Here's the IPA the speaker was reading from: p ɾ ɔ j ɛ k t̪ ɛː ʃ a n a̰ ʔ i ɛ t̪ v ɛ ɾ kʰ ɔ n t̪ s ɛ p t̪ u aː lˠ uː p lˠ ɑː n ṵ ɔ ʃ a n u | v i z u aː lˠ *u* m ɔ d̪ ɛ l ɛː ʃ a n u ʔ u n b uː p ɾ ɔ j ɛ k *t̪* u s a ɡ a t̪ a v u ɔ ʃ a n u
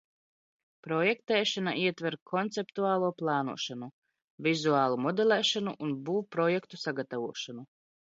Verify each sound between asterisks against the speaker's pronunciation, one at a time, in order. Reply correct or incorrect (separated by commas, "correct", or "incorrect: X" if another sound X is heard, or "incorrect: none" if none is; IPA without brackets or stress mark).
correct, correct